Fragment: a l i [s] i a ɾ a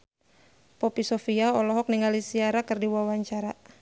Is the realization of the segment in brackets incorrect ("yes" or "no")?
no